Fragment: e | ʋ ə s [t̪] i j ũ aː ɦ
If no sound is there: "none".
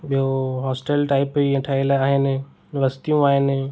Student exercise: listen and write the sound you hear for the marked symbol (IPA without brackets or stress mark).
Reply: t̪